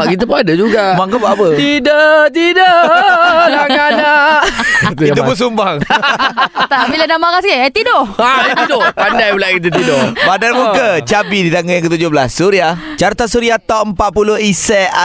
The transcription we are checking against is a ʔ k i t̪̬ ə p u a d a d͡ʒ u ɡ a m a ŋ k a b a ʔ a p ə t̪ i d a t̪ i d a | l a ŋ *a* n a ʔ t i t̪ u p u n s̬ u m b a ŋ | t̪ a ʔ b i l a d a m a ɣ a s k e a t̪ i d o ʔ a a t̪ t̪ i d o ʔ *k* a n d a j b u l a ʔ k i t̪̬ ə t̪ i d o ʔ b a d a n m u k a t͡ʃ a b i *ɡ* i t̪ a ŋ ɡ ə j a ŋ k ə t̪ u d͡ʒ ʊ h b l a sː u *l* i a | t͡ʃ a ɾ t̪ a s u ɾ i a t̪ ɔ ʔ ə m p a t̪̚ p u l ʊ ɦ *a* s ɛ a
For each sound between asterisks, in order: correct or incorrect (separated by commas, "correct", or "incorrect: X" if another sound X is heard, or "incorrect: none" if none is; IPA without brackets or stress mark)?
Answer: correct, incorrect: p, incorrect: d, incorrect: ɾ, incorrect: i